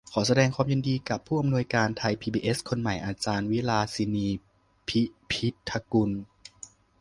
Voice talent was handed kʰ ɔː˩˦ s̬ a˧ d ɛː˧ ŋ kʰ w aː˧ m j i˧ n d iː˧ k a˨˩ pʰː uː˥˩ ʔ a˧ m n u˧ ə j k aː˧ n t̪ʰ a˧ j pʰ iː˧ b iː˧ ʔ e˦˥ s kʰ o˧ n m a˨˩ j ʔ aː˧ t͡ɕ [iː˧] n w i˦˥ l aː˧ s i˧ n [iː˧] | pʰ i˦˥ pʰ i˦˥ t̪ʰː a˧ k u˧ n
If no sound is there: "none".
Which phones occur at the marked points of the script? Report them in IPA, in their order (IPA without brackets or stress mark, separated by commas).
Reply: aː˧, iː˧